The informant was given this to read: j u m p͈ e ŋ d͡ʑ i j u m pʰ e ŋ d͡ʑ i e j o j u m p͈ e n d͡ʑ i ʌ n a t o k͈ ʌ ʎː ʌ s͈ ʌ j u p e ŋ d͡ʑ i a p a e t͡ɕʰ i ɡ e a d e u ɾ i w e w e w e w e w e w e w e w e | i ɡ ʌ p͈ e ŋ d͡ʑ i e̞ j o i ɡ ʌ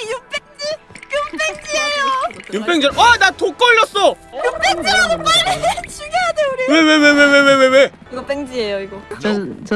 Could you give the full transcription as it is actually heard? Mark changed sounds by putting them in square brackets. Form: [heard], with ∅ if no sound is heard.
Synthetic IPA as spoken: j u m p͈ e ŋ d͡ʑ i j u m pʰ e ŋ d͡ʑ i e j o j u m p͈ e [ŋ] d͡ʑ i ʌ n a t o k͈ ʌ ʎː ʌ s͈ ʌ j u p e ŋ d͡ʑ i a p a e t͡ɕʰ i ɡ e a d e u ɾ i w e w e w e w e w e w e w e w e | i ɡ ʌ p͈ e ŋ d͡ʑ i e̞ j o i ɡ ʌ